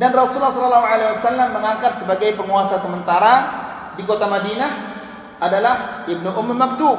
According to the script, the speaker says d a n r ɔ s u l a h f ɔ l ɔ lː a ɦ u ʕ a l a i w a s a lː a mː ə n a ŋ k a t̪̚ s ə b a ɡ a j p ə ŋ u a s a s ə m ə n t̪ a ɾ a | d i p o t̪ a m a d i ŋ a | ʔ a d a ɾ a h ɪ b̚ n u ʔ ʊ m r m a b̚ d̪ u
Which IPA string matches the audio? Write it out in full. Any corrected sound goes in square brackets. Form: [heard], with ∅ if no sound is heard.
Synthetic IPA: d a n r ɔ s u l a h [s] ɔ l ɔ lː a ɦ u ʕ a l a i w a s a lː a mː ə [ŋ] a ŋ k a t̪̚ s ə b a ɡ a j p ə ŋ u a s a s ə m ə n t̪ a ɾ a | d i [k] o t̪ a m a d i [n] a | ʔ a d a [l] a h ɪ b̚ n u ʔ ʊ m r m a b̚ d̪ u